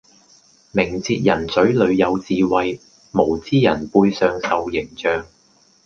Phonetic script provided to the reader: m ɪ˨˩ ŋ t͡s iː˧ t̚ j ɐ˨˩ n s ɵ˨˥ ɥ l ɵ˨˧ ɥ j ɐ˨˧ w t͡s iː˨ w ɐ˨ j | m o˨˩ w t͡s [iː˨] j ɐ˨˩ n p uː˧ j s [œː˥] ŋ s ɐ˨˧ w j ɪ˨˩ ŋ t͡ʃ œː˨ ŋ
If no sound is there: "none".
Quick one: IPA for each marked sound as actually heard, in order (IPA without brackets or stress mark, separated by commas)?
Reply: iː˥, œː˨